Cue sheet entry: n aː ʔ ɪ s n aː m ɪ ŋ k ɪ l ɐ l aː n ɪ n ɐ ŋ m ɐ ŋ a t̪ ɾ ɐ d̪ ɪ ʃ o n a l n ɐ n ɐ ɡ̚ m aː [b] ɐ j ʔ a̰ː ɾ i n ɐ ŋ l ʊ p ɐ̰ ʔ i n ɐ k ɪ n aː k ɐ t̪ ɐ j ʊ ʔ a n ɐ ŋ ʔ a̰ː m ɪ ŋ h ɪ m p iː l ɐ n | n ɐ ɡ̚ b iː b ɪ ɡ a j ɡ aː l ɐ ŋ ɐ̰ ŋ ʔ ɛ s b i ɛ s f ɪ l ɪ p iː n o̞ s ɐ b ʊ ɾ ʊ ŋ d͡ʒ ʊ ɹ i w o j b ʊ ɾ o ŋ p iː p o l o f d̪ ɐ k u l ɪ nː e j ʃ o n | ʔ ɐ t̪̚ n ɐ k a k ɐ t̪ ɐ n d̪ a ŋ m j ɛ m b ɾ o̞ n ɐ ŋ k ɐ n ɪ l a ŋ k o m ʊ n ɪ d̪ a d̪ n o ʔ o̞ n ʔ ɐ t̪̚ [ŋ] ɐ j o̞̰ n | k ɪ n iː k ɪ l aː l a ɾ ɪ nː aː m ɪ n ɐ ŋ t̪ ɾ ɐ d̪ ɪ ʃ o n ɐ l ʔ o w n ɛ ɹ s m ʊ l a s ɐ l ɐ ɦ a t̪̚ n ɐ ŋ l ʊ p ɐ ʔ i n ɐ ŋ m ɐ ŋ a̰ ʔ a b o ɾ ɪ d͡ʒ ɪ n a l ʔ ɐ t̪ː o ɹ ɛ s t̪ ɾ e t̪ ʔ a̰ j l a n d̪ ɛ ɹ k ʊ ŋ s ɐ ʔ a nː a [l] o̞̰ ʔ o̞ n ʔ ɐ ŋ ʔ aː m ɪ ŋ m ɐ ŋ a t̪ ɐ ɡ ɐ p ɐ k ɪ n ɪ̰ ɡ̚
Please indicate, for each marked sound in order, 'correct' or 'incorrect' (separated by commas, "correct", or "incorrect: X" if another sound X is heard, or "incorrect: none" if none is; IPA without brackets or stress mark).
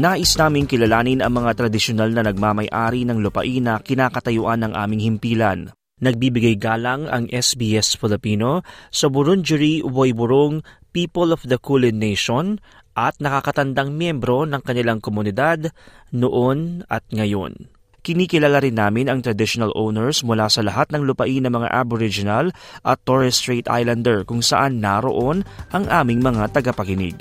incorrect: m, correct, incorrect: ɾ